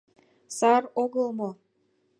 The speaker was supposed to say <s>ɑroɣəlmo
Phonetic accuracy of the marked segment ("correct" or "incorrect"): correct